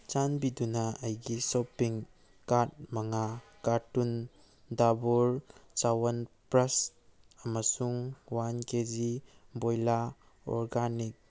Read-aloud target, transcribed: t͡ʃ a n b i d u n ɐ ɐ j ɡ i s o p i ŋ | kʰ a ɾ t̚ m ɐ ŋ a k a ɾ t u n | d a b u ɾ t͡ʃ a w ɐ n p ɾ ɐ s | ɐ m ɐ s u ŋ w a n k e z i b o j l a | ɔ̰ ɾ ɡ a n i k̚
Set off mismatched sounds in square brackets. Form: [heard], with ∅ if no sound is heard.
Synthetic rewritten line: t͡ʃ a n b i d u n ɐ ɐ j ɡ i s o p i ŋ | [k] a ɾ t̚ m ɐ ŋ a k a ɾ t u n | d a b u ɾ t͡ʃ a w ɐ n p ɾ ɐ s | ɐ m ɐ s u ŋ w a n k e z i b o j l a | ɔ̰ ɾ ɡ a n i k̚